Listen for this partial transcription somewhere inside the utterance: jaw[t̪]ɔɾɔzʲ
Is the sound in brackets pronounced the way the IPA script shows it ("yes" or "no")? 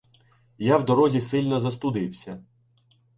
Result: no